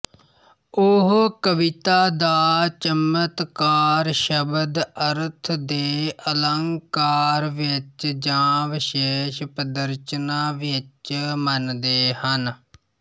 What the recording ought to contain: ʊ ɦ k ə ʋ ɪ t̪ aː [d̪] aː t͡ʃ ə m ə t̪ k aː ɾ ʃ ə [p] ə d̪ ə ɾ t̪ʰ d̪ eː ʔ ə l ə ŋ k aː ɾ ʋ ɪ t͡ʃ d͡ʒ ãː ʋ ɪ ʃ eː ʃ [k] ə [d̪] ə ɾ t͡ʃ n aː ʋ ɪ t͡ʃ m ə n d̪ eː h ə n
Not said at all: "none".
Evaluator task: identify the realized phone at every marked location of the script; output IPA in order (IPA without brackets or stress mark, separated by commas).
d̪, b, p, d̪